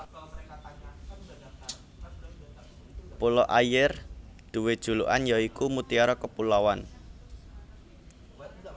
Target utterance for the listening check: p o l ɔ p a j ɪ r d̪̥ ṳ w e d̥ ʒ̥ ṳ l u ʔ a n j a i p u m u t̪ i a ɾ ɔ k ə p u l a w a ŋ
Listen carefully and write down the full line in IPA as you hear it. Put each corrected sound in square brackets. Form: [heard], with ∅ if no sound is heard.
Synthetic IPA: p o l ɔ [ʔ] a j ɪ r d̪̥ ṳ w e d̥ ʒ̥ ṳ l u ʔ a n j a i [k] u m u t̪ i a ɾ ɔ k ə p u l a w a [n]